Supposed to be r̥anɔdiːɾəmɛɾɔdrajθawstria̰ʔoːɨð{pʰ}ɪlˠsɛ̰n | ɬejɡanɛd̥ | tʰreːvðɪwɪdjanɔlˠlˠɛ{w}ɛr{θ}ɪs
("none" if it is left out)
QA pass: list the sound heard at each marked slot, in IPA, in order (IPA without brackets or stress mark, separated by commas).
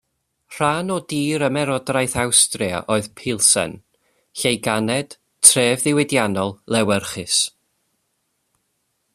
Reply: pʰ, w, χ